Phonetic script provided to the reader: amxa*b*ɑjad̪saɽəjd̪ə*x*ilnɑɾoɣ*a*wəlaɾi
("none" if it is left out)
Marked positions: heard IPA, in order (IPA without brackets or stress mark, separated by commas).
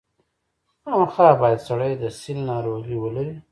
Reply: b, s, i